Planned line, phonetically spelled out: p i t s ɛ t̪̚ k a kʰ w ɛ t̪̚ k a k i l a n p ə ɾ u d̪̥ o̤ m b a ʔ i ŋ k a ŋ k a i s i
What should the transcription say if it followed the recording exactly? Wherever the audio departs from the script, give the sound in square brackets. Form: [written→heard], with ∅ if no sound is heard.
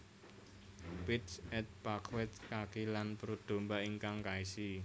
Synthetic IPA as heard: p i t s ɛ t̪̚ [k→p] a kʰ w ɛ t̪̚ k a k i l a n p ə ɾ u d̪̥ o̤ m b a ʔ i ŋ k a ŋ k a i s i